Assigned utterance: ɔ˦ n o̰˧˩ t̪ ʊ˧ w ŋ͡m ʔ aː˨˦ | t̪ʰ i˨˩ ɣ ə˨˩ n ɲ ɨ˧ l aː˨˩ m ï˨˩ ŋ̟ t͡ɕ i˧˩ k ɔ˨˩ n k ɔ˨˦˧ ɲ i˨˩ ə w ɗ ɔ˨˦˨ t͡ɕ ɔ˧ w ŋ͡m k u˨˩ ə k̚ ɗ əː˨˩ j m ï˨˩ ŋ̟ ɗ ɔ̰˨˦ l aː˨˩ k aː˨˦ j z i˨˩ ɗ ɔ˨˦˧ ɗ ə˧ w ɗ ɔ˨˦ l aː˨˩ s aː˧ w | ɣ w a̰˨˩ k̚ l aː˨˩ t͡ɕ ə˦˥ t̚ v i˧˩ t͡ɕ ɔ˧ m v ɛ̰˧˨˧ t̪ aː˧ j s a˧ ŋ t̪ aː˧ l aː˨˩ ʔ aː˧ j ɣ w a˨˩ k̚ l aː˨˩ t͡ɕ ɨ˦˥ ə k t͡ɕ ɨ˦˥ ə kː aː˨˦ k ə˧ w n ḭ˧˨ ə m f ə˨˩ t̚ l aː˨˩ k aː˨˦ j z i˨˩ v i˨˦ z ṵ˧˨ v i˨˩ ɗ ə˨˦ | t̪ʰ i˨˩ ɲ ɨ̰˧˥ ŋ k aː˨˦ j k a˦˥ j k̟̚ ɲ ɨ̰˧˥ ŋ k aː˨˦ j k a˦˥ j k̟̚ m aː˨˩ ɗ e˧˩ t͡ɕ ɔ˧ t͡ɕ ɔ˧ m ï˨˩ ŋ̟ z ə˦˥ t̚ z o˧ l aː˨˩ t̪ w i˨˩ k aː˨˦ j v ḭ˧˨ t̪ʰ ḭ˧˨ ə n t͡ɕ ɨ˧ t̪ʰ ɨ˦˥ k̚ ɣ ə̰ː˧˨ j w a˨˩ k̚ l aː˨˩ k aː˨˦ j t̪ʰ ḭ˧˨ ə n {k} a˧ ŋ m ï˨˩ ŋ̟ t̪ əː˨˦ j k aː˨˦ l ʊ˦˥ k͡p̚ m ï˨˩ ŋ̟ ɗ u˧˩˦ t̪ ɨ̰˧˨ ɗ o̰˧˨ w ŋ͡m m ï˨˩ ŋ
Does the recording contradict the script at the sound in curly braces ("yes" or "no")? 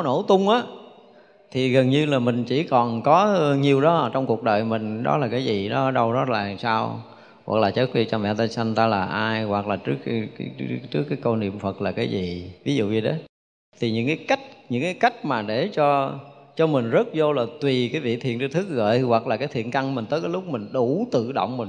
no